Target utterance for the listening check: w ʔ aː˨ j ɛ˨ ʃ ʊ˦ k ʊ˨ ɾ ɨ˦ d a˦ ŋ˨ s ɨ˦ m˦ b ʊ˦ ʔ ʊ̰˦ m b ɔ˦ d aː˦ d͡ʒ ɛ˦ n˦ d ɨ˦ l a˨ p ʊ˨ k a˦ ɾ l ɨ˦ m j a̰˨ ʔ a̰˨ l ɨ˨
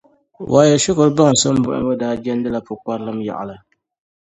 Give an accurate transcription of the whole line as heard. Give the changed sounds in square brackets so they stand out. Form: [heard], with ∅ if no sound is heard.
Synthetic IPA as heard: w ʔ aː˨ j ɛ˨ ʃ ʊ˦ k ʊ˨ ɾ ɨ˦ [b] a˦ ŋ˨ s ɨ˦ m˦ b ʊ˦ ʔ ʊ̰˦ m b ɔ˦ d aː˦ d͡ʒ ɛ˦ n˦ d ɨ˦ l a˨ p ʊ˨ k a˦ ɾ l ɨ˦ m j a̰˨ ʔ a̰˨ l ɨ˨